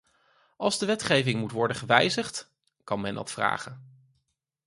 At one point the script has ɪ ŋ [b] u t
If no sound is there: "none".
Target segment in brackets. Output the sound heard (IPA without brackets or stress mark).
m